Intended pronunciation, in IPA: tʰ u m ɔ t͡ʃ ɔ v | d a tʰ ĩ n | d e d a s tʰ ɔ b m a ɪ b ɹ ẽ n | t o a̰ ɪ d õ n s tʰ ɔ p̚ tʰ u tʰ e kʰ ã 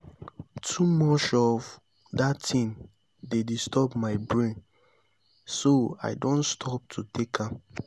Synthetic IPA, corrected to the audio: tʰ u m ɔ t͡ʃ ɔ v | d a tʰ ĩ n | d e d i s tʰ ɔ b m a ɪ b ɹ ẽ n | s o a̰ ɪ d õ n s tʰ ɔ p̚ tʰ u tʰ e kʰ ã